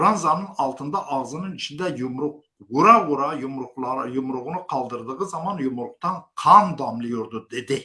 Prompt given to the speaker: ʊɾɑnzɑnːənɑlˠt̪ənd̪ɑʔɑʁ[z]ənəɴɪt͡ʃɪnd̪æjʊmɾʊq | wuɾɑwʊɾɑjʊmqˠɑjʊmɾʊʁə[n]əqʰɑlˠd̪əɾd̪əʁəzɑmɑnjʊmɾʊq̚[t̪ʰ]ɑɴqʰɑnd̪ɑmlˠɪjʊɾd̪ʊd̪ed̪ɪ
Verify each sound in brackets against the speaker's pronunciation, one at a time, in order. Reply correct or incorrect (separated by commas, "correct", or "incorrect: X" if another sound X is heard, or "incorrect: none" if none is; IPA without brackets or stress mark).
correct, correct, incorrect: t̪